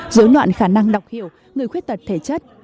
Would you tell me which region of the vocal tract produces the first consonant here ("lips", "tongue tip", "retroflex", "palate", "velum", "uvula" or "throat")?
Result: tongue tip